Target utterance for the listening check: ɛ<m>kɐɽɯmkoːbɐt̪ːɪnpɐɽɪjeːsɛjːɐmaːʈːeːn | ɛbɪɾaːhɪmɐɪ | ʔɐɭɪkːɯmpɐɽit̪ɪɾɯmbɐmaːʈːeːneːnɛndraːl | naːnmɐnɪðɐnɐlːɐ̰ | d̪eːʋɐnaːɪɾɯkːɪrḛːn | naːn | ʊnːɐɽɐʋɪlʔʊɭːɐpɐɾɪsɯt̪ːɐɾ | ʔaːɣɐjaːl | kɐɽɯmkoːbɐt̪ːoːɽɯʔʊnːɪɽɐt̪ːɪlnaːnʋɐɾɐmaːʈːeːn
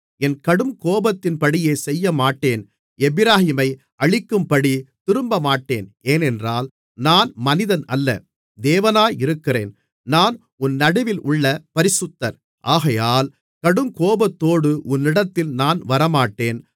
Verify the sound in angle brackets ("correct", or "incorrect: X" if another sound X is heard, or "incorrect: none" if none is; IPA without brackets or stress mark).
incorrect: n